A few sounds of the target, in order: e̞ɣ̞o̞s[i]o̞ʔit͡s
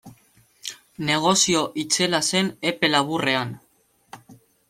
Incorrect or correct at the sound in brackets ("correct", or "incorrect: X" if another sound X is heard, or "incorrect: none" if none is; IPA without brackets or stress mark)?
correct